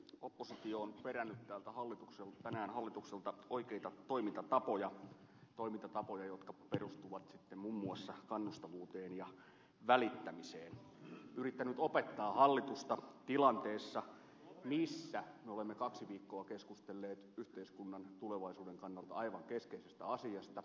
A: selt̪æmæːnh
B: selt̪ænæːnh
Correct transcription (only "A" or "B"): B